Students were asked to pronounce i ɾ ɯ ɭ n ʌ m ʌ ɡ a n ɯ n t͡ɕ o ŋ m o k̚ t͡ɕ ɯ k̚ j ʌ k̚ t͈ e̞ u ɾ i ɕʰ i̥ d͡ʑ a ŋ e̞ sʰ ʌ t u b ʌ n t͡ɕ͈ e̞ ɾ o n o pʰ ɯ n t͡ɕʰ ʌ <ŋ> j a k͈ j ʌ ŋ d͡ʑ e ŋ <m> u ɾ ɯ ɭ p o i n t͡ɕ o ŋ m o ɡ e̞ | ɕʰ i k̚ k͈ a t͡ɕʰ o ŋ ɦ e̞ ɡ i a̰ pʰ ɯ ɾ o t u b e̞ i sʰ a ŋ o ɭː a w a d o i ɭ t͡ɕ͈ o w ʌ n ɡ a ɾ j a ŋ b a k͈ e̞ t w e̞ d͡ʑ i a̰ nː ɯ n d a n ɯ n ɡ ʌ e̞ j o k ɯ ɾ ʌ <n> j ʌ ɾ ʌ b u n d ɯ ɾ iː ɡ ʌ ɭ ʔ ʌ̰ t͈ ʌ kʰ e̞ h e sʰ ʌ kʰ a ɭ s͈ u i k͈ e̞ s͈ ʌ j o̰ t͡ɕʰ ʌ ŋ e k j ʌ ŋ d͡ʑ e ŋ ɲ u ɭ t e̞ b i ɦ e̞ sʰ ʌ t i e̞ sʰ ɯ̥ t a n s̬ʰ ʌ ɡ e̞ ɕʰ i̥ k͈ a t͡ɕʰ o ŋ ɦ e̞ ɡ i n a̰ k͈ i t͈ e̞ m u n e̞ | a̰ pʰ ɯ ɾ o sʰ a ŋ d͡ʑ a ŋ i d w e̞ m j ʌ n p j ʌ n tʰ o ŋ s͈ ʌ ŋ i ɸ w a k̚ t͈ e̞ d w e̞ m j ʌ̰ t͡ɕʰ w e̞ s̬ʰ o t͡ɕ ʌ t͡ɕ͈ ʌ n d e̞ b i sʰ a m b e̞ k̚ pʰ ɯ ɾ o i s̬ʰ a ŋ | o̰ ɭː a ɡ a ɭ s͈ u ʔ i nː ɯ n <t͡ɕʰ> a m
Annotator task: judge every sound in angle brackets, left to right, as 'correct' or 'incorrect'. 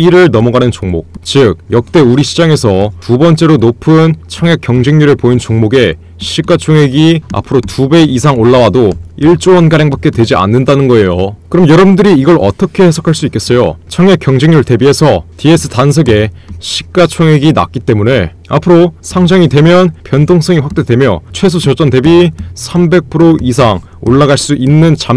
correct, incorrect: ɲ, incorrect: m, incorrect: t͡ɕ

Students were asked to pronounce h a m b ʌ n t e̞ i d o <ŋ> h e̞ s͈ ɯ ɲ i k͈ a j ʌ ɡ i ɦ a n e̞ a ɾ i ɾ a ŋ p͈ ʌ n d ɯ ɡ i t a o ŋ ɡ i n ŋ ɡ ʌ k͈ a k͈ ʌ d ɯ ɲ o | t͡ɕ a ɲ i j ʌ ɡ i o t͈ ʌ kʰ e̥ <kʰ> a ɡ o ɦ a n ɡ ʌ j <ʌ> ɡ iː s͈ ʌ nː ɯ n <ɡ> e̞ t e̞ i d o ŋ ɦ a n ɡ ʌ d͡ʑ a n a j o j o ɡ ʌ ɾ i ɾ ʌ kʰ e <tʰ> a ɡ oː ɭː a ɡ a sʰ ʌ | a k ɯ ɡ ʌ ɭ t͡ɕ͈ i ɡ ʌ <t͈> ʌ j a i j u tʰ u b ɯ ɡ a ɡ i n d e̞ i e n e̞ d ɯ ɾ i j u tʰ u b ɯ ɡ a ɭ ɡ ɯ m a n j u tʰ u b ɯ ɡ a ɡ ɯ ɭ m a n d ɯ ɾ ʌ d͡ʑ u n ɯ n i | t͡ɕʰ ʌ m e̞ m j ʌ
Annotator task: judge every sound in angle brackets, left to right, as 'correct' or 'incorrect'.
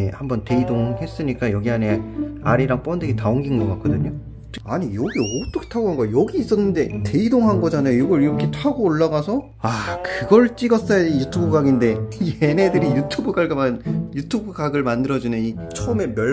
correct, incorrect: tʰ, correct, incorrect: d, correct, incorrect: s͈

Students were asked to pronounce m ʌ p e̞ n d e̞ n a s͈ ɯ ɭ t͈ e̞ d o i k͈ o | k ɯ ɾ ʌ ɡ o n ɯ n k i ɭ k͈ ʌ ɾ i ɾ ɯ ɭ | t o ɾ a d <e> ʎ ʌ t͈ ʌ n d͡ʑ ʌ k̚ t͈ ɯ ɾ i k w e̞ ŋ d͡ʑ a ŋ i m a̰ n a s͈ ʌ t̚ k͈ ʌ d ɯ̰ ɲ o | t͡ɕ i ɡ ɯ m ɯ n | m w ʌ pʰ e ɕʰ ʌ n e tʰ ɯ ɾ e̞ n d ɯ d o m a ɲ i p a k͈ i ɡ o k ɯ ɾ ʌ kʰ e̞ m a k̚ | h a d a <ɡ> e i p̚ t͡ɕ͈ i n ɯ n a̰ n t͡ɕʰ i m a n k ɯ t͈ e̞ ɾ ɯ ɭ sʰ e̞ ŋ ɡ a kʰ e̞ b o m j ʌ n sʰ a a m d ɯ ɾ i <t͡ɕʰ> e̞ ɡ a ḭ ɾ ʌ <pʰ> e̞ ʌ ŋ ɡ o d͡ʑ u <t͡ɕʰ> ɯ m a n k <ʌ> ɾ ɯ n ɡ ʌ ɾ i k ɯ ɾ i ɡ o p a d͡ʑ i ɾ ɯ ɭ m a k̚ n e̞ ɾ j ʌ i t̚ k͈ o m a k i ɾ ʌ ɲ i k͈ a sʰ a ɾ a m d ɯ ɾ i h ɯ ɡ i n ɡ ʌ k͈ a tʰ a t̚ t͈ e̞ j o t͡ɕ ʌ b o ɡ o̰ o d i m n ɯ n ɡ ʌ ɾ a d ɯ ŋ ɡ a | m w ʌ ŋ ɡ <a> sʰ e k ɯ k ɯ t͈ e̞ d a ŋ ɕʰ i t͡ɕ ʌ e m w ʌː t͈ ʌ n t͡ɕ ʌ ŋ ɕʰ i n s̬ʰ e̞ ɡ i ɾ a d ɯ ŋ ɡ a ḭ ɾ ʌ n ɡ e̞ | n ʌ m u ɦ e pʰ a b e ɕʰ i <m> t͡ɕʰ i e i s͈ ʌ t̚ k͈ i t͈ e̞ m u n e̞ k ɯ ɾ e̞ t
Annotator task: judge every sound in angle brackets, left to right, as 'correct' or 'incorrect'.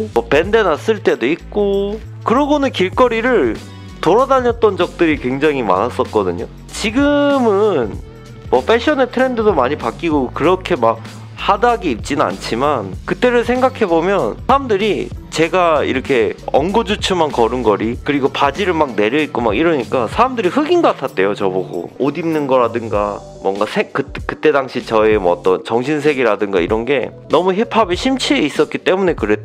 incorrect: a, correct, incorrect: t͡ɕ, incorrect: kʰ, correct, correct, correct, correct

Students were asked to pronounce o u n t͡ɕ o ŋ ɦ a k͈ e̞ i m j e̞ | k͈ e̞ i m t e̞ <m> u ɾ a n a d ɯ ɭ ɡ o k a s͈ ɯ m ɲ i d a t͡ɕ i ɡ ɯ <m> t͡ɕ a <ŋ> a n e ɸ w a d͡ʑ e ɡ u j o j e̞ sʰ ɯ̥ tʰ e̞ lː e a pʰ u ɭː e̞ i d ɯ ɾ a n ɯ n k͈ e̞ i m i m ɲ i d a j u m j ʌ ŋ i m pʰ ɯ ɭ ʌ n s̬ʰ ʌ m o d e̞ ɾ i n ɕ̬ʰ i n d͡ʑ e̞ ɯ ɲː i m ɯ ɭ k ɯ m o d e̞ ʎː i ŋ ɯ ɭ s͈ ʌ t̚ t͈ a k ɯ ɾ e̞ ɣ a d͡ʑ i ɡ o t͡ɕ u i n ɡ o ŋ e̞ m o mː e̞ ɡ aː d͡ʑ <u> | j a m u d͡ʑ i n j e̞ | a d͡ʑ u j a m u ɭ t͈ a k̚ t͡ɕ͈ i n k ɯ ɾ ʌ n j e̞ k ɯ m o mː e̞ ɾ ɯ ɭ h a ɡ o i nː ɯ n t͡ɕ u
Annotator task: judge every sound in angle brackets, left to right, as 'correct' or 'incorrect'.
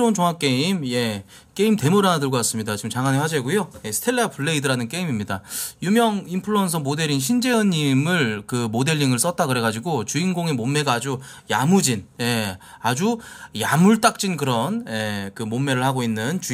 correct, correct, correct, correct

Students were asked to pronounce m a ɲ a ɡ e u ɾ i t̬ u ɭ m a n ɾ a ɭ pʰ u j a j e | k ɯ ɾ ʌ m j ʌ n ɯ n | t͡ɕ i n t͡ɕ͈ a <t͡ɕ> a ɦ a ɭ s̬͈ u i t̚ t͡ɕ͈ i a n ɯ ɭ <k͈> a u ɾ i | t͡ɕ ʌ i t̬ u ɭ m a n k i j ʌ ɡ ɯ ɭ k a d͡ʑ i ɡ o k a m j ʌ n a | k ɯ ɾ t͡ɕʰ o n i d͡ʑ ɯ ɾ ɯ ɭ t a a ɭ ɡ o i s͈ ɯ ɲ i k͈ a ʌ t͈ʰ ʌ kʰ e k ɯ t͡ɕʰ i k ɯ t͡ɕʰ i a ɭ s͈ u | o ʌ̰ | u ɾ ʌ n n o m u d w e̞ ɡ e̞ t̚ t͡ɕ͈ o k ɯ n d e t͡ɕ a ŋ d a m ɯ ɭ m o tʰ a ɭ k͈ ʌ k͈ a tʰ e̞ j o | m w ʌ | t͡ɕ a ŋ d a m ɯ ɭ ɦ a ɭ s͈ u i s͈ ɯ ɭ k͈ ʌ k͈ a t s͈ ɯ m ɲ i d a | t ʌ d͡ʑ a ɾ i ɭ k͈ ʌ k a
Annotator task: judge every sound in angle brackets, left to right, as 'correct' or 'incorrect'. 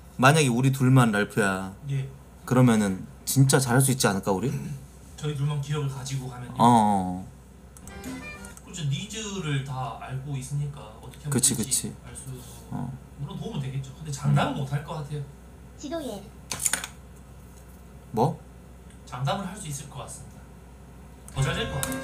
correct, correct

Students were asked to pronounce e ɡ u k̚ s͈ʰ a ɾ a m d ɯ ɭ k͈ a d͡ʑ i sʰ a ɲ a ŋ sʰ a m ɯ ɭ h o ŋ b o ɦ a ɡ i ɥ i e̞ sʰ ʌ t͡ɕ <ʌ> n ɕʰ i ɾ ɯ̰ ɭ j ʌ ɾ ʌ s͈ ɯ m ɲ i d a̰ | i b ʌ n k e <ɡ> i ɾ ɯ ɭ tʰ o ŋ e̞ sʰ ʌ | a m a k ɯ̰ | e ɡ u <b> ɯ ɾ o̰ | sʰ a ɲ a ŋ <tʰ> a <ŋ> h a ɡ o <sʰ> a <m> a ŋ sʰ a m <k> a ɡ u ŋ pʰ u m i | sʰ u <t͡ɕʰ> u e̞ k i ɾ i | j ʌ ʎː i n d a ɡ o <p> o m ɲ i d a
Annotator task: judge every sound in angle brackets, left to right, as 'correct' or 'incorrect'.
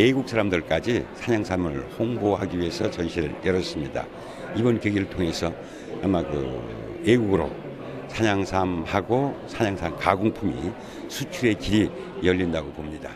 correct, correct, incorrect: ɡ, incorrect: sʰ, incorrect: m, correct, incorrect: ɲ, correct, correct, correct

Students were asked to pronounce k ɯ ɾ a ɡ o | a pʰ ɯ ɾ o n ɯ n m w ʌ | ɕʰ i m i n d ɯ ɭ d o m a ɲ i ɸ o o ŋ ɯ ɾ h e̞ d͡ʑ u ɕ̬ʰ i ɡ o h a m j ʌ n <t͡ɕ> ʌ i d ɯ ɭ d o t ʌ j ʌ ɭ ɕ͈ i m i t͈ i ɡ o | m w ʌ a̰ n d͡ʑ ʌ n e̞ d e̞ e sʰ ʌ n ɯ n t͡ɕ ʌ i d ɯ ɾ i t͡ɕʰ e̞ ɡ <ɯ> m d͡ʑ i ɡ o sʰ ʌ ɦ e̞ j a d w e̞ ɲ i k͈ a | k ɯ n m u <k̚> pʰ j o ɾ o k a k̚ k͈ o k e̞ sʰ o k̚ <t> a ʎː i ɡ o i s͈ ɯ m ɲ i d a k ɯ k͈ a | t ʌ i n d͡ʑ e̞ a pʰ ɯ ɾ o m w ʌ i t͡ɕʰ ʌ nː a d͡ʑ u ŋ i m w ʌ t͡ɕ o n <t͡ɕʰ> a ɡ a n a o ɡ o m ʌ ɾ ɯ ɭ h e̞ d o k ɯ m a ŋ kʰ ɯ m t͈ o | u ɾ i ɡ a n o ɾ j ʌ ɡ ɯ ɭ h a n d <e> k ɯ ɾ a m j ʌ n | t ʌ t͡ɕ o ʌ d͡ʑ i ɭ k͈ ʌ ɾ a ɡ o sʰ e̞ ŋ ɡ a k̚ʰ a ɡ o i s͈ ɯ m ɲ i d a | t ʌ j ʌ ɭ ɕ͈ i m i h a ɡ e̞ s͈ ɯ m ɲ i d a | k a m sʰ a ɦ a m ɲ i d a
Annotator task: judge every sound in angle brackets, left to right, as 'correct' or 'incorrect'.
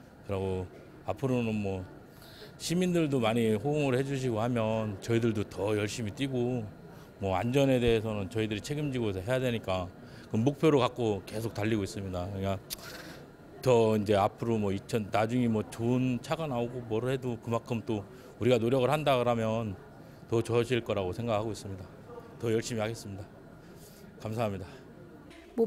correct, correct, correct, correct, correct, incorrect: a

